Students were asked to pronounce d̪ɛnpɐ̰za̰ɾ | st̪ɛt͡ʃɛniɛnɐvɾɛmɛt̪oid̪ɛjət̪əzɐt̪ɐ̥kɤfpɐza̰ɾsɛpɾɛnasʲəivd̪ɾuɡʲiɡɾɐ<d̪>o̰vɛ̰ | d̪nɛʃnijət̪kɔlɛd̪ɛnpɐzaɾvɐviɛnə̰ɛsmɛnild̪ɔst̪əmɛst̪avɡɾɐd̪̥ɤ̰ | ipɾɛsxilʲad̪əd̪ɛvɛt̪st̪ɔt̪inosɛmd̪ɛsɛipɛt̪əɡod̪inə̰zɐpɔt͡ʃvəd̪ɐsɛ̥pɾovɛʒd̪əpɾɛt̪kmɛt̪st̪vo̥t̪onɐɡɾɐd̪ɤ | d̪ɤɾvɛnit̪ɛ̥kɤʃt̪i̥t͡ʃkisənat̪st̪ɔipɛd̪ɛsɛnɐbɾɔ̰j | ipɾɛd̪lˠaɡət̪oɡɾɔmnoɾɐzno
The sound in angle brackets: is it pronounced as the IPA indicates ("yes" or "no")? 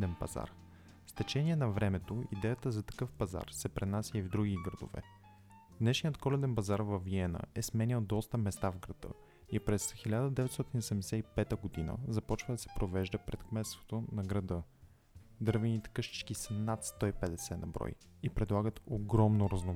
yes